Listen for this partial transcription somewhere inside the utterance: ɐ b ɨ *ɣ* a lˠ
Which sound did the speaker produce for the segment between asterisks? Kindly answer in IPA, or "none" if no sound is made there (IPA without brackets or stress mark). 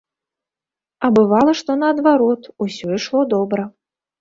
v